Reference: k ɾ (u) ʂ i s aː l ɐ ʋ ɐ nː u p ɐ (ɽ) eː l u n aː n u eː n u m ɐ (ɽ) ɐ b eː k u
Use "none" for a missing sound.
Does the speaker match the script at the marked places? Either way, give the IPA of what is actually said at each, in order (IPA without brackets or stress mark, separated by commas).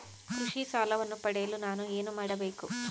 u, ɽ, ɽ